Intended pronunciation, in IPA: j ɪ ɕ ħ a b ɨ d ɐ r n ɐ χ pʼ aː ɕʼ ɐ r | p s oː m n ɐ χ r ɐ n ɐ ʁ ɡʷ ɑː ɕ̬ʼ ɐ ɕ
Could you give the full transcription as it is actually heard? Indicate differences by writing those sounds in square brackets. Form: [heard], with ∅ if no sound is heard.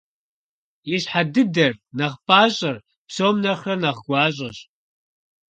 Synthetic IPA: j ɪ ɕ ħ a [d] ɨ d ɐ r n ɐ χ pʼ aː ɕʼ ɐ r | p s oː m n ɐ χ r ɐ n ɐ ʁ ɡʷ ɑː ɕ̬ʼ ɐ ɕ